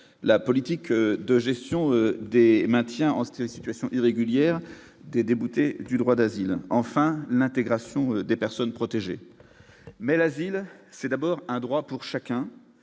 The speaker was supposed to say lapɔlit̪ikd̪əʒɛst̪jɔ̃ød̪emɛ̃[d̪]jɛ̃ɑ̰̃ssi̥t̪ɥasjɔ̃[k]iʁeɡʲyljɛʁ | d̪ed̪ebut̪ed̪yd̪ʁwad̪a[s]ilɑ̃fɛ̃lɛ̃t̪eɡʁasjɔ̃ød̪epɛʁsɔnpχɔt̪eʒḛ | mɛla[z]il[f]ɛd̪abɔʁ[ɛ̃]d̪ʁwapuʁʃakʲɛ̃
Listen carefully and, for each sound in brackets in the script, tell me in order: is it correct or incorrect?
incorrect: t̪, incorrect: ʔ, incorrect: z, correct, incorrect: s, correct

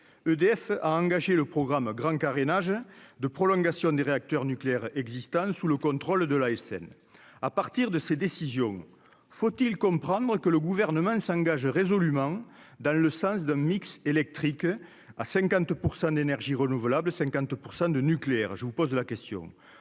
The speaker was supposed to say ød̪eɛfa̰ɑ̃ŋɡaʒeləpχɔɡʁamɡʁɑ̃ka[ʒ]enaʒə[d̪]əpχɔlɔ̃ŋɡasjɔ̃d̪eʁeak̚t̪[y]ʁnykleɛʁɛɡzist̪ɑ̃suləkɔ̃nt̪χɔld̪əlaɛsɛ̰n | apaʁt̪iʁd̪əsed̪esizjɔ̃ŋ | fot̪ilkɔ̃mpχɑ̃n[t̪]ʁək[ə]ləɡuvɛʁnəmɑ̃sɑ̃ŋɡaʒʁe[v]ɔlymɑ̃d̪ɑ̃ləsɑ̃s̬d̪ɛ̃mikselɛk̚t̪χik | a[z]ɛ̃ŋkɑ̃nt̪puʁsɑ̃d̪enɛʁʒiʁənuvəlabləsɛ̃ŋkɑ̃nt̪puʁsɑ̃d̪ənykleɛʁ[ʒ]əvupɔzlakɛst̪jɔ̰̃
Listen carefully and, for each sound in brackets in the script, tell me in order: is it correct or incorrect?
incorrect: ʁ, correct, incorrect: œ, incorrect: d̪, correct, incorrect: z, incorrect: s, correct

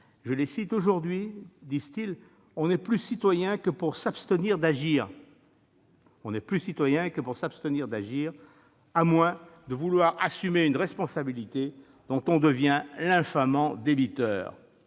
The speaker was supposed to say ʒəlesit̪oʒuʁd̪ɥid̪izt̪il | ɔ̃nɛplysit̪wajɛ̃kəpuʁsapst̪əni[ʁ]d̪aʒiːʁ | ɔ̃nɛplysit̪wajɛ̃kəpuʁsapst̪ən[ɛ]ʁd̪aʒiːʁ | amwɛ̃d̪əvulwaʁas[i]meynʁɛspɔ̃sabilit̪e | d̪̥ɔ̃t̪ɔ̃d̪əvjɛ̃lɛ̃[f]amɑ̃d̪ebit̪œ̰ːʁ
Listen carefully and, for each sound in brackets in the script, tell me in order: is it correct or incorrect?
correct, incorrect: i, incorrect: y, correct

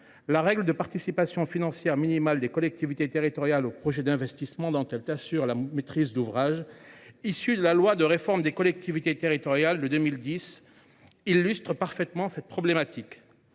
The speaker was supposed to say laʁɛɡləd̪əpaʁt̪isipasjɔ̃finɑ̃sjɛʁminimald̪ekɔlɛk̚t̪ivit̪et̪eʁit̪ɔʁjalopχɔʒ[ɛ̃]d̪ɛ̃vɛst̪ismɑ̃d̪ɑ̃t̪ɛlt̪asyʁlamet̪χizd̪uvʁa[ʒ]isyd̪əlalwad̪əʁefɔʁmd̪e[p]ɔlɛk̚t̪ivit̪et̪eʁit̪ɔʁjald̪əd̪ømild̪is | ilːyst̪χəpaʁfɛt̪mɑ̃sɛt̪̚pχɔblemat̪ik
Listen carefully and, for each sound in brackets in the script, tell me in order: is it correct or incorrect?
incorrect: ɛ, correct, incorrect: k

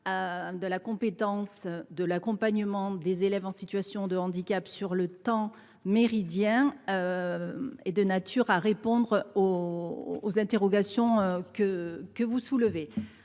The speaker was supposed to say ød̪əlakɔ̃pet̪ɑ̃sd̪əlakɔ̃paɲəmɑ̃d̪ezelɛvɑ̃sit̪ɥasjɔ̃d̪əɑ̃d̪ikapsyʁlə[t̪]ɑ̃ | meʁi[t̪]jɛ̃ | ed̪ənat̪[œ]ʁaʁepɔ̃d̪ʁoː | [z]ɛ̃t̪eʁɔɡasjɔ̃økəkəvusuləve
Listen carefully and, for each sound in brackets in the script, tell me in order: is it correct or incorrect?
correct, incorrect: d̪, incorrect: y, correct

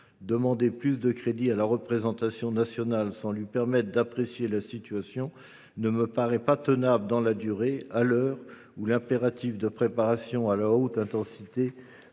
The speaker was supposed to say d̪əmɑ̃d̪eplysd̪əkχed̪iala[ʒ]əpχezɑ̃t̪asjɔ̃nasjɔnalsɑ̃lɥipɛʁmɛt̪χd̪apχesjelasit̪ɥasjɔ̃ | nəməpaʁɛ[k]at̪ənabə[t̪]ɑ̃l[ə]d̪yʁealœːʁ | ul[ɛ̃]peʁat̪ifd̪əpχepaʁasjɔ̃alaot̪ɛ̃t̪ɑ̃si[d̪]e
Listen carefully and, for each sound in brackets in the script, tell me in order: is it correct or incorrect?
incorrect: ʁ, incorrect: p, incorrect: d̪, incorrect: a, correct, incorrect: t̪

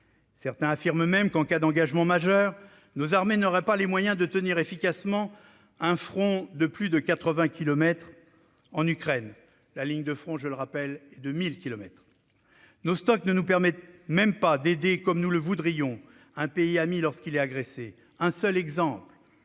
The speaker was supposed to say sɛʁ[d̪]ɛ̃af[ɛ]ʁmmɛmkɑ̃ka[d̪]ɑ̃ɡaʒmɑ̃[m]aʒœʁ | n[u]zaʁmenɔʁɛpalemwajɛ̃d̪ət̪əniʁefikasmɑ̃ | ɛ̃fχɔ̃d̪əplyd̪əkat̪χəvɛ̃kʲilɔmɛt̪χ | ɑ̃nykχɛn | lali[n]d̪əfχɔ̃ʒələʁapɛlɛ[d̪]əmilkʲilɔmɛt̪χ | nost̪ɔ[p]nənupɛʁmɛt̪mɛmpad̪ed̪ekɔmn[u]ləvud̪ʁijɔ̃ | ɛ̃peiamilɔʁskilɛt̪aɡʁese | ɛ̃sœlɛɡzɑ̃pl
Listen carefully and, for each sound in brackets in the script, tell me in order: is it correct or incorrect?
incorrect: t̪, incorrect: i, correct, correct, incorrect: o, incorrect: ɲ, correct, incorrect: k, correct

